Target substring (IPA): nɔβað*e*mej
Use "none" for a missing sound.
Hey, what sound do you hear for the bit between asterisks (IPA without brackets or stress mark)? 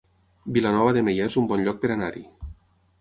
e